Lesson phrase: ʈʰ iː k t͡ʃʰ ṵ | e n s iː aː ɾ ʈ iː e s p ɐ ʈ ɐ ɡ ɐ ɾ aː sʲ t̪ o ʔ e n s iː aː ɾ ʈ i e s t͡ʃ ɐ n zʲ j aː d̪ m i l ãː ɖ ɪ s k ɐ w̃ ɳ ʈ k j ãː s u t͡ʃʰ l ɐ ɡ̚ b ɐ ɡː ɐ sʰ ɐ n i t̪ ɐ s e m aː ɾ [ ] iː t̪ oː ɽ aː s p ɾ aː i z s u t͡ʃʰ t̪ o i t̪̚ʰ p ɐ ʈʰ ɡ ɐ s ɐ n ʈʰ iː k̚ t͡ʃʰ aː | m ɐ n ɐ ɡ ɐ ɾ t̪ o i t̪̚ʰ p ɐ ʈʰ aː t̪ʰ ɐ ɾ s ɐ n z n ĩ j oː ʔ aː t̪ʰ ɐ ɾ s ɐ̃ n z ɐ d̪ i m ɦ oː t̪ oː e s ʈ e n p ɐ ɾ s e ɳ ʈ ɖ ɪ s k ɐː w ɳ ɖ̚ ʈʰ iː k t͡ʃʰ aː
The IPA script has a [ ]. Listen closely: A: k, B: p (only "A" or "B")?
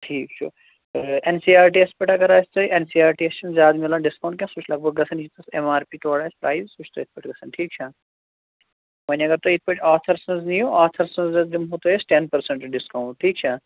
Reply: B